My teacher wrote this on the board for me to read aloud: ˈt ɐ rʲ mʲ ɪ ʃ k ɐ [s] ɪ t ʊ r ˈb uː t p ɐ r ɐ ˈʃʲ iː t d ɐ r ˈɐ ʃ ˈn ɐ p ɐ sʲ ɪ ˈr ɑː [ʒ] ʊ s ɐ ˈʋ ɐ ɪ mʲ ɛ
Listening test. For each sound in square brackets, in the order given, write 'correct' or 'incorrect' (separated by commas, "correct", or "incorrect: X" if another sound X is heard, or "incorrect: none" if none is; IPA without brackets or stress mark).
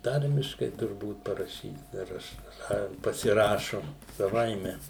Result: incorrect: none, incorrect: ʃ